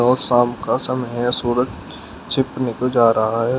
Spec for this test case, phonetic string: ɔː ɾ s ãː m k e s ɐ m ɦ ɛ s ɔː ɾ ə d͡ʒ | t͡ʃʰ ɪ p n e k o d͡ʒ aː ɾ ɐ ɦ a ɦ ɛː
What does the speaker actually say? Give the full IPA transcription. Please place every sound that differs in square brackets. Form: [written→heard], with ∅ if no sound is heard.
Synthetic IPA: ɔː ɾ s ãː m k [e→a] s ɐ m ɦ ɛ s [ɔː→uː] ɾ ə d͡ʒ | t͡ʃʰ ɪ p n e k o d͡ʒ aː ɾ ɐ ɦ a ɦ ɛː